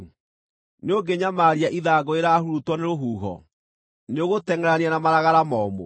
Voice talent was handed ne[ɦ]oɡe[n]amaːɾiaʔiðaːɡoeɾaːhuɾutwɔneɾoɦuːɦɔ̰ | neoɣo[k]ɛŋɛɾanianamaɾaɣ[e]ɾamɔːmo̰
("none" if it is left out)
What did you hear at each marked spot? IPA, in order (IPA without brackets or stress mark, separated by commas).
none, ɲ, t, a